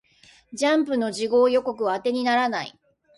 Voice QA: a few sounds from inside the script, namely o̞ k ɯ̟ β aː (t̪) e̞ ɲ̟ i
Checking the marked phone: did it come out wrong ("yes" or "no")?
no